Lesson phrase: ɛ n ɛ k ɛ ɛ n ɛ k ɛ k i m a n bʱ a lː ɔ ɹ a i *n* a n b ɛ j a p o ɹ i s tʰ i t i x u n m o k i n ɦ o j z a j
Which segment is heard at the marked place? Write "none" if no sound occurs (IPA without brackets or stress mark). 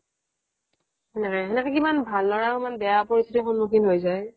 m